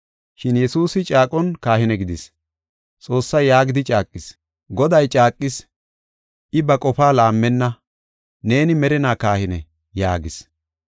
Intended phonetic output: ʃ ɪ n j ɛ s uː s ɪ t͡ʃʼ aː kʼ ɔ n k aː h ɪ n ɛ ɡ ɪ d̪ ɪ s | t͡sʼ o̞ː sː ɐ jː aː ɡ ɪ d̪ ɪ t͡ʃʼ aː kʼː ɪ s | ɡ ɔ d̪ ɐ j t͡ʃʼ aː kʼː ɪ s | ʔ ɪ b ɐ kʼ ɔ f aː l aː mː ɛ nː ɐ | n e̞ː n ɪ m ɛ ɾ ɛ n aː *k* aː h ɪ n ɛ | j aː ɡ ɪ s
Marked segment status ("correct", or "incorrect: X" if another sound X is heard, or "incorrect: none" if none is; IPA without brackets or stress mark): correct